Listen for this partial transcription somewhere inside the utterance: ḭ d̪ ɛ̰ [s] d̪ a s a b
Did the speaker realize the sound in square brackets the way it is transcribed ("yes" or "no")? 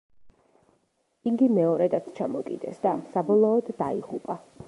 yes